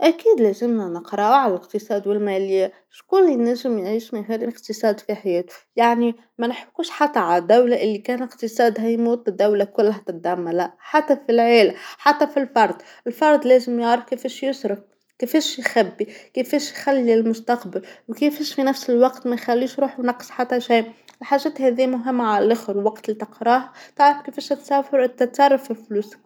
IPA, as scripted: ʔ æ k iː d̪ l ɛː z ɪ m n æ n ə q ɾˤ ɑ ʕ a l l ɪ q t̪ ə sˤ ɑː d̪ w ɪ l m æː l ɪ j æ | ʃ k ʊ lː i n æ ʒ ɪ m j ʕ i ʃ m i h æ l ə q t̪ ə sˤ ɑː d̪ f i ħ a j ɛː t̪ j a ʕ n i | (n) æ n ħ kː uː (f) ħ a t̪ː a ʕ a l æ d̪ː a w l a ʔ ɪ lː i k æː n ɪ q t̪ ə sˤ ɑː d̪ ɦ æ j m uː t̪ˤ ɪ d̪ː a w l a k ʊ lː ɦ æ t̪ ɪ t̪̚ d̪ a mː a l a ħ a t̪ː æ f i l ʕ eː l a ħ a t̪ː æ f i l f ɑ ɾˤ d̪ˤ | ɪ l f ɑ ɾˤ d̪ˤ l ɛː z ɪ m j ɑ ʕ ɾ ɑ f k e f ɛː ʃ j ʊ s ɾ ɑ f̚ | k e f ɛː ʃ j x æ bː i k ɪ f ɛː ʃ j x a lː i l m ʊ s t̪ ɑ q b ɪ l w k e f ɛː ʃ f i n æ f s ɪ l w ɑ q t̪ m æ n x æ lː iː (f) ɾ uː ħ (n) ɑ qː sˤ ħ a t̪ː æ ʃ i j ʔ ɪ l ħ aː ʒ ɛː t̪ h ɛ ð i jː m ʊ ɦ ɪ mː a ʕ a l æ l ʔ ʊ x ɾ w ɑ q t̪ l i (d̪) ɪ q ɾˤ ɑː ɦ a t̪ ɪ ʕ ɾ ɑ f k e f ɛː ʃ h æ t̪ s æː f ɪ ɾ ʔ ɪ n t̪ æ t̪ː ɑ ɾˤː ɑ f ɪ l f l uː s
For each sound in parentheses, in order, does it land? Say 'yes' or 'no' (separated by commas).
no, no, no, yes, no